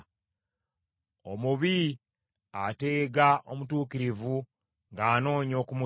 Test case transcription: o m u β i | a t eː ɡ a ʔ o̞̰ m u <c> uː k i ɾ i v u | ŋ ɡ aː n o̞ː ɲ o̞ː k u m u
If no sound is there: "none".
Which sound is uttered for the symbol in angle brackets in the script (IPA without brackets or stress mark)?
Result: t